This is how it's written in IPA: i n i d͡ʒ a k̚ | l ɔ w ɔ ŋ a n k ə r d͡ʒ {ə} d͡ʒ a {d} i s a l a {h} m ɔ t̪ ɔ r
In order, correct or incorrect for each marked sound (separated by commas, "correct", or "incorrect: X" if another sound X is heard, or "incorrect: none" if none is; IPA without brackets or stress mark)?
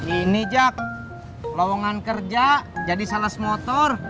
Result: incorrect: a, correct, incorrect: s